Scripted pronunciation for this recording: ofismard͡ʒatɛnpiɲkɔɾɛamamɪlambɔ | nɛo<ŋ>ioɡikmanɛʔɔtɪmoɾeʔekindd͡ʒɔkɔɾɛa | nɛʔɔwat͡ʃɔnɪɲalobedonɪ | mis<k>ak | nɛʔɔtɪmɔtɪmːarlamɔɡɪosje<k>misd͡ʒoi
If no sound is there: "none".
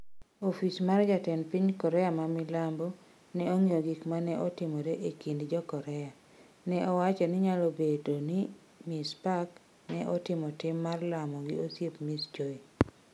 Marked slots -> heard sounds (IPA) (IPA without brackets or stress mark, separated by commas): ŋ, p, p